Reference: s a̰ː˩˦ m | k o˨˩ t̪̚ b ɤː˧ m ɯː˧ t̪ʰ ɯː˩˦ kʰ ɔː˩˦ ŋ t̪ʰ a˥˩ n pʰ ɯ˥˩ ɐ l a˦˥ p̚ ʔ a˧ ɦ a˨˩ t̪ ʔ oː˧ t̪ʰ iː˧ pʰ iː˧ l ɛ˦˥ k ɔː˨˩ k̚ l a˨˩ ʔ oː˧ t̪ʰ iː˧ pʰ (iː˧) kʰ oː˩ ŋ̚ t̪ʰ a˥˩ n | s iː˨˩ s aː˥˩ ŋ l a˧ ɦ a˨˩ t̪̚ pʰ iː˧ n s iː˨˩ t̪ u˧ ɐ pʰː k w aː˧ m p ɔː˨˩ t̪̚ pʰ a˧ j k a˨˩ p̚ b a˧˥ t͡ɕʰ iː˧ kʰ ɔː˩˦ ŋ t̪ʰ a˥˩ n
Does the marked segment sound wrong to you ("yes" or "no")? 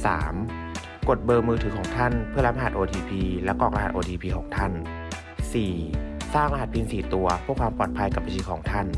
no